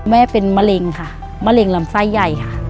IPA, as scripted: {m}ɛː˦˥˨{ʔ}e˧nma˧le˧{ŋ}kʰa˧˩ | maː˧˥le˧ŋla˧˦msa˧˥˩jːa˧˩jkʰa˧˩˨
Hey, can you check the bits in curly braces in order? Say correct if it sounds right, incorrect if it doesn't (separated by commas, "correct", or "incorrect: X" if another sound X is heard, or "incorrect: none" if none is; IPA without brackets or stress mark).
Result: correct, incorrect: p, correct